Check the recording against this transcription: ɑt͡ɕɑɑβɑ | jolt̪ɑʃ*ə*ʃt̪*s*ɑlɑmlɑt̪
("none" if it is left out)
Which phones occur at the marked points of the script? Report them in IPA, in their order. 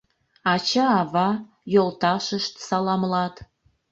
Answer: ə, s

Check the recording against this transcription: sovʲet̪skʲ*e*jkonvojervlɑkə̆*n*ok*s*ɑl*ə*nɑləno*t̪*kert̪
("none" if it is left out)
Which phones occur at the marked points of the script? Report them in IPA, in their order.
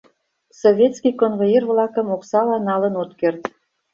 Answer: i, m, s, ɑ, t̪

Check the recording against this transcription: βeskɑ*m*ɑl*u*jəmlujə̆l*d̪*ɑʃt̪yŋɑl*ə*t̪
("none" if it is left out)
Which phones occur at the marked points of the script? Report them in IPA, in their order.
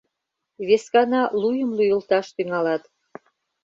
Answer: n, u, t̪, ɑ

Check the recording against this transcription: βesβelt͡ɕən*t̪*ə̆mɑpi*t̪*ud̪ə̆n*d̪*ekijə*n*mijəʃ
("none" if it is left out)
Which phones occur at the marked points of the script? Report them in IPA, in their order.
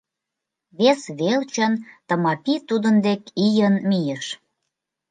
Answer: t̪, t̪, d̪, n

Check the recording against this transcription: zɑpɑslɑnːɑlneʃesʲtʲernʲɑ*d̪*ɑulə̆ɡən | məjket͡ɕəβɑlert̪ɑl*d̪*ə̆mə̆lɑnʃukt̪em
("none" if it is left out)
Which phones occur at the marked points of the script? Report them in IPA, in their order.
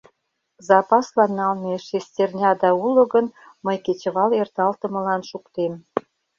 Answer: d̪, t̪

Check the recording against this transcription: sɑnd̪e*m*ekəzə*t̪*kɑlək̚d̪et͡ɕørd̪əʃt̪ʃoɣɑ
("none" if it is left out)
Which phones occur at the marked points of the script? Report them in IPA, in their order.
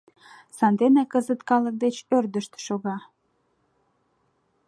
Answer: n, t̪

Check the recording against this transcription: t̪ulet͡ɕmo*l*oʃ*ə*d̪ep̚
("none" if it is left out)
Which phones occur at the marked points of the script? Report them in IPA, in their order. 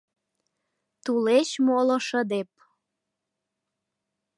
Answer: l, ə

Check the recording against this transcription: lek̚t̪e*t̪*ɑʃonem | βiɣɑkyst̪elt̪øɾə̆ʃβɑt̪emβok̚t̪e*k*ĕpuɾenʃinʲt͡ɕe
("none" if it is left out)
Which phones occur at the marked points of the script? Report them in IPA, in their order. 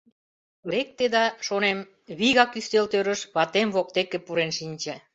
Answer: d̪, k

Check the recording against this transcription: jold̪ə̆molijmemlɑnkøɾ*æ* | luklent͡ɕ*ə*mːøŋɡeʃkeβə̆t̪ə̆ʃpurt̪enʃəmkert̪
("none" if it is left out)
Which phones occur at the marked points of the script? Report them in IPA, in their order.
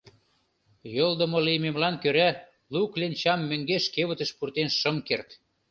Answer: æ, ɑ

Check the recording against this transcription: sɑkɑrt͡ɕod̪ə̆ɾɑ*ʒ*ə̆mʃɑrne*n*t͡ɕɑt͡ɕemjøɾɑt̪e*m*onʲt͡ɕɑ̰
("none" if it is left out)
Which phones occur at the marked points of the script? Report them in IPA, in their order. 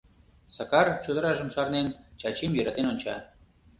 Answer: ʒ, n, n

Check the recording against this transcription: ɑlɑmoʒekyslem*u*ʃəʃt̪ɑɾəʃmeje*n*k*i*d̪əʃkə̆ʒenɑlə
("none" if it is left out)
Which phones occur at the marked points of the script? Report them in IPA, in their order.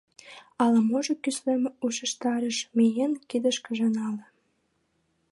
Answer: u, n, i

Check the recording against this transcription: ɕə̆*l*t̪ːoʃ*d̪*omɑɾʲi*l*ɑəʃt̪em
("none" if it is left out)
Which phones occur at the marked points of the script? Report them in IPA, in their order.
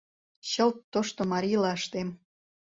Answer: l, t̪, l

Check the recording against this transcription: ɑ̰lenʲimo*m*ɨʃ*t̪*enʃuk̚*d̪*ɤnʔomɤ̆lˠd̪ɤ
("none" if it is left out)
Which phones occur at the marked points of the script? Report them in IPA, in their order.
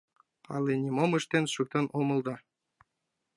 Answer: m, t̪, t̪

